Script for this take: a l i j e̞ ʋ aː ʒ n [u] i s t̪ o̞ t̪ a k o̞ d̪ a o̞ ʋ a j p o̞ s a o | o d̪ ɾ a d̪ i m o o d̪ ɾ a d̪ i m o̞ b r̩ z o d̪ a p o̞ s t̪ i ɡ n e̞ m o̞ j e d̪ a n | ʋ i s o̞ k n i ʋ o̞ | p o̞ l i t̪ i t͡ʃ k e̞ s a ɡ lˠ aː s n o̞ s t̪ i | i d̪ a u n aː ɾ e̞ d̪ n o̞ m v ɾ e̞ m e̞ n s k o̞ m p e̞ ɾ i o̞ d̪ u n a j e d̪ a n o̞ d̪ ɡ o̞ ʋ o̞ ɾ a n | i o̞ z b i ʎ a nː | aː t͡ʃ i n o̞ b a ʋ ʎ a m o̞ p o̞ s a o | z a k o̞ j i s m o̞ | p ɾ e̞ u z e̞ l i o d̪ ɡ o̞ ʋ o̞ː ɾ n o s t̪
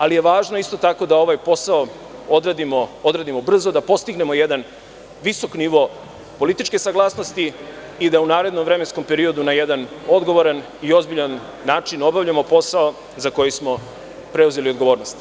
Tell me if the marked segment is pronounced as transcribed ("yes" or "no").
no